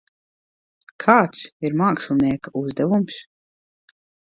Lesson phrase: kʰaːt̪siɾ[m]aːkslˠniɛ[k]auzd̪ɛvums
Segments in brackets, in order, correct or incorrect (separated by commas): correct, correct